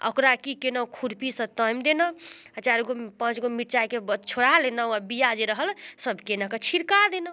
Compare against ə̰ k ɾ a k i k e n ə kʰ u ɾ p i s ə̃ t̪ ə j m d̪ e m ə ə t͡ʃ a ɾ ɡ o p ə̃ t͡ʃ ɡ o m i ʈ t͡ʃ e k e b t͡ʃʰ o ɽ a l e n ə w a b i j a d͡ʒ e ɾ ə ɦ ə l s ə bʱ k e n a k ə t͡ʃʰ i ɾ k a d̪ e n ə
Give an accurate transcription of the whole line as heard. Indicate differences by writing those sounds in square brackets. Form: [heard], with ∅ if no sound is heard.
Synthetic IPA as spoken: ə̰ k ɾ a k i k e n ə kʰ u ɾ p i s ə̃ t̪ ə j m d̪ e [n] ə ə t͡ʃ a ɾ ɡ o p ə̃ t͡ʃ ɡ o m i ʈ t͡ʃ [a] k e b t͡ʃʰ o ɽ a l e n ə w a b i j a d͡ʒ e ɾ ə ɦ ə l s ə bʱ k e n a k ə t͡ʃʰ i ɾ k a d̪ e n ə